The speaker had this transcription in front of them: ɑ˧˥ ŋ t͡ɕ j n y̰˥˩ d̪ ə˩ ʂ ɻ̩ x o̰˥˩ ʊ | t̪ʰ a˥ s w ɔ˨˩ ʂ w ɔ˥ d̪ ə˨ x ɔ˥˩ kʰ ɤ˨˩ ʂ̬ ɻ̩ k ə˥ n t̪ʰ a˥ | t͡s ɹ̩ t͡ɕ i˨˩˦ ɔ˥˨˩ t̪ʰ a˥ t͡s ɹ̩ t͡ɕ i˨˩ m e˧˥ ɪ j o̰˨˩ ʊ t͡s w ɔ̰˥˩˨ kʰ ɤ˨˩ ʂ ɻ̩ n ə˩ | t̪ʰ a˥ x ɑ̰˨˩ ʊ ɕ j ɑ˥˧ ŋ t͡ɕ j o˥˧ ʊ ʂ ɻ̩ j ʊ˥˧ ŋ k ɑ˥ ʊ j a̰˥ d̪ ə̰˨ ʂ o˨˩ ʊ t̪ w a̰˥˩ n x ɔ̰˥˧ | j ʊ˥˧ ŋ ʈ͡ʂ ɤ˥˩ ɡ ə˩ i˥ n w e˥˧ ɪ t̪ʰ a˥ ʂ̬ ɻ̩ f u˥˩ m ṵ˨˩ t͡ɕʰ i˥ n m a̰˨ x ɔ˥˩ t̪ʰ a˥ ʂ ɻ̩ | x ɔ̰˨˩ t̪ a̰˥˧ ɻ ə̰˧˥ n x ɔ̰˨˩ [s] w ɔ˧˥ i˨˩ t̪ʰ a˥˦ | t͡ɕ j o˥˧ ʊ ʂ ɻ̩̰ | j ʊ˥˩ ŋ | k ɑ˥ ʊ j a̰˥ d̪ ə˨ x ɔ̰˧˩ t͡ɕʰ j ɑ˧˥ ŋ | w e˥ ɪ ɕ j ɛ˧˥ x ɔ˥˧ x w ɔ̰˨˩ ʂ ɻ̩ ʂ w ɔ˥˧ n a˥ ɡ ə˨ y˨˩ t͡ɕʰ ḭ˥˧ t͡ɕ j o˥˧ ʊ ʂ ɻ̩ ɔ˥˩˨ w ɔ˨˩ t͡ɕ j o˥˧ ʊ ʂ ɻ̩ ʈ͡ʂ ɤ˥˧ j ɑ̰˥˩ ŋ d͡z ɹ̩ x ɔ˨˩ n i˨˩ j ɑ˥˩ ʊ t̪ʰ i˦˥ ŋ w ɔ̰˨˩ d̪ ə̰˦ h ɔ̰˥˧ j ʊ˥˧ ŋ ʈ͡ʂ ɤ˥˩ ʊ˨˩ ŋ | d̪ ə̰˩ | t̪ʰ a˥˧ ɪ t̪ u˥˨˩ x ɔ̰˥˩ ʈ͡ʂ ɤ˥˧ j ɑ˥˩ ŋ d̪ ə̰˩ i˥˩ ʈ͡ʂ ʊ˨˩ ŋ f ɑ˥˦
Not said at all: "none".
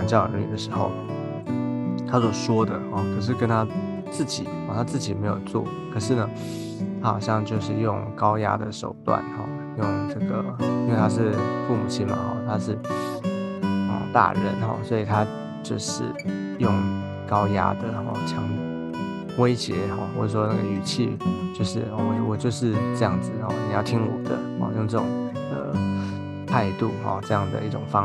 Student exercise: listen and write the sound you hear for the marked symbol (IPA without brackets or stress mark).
s